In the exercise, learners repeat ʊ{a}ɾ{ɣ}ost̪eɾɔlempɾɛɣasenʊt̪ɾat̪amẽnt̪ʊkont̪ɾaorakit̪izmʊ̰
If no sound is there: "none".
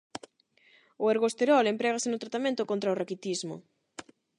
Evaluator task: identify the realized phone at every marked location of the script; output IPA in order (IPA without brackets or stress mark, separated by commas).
e, ɣ